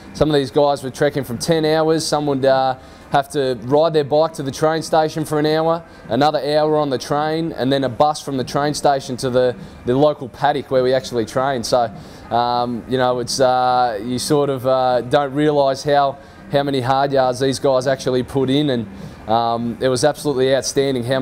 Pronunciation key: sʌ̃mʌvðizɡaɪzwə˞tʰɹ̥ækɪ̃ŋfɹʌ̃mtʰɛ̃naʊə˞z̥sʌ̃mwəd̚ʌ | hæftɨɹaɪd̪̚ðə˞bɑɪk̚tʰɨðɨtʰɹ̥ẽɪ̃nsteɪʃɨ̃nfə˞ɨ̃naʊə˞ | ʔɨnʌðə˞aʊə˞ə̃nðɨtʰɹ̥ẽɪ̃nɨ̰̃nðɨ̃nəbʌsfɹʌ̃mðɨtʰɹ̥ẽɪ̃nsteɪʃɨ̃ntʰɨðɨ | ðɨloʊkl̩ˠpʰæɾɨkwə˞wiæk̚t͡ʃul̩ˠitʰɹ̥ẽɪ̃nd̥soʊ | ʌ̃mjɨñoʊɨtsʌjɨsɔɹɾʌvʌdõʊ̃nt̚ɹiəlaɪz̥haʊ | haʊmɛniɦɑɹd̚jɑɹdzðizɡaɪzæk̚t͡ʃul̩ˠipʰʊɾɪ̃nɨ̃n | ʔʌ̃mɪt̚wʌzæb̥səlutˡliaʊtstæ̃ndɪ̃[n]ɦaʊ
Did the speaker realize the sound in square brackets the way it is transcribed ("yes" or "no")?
no